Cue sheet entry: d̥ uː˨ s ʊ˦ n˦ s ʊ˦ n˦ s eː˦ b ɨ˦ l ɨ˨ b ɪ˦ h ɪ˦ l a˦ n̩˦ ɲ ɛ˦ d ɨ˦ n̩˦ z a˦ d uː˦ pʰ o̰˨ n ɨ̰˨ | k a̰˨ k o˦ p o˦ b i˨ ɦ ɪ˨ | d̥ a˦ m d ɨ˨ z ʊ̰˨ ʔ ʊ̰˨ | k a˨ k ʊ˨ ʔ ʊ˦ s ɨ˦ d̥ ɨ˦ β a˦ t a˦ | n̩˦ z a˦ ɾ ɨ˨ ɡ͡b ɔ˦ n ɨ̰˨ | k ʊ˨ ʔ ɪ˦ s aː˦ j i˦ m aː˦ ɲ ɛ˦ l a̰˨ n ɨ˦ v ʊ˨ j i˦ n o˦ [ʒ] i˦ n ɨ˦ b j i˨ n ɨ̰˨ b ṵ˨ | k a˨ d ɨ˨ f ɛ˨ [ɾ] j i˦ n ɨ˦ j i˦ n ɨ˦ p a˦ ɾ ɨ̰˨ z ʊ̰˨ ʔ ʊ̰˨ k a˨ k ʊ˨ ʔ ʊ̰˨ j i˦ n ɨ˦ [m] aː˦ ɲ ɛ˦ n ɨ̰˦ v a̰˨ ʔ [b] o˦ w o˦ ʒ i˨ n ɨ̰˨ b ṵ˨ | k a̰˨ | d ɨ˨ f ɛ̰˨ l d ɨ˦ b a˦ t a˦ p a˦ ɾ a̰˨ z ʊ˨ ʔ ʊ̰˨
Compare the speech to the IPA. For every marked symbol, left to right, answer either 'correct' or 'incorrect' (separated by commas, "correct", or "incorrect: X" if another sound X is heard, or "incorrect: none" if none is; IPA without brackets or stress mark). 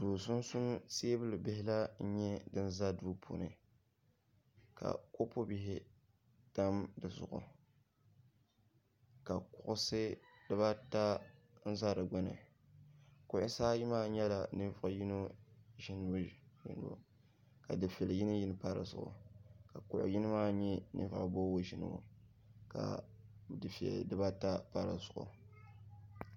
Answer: correct, incorrect: l, correct, correct